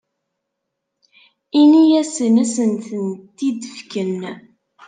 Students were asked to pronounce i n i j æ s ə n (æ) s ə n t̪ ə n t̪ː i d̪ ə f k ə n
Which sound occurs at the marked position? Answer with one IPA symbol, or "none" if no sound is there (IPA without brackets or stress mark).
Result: æ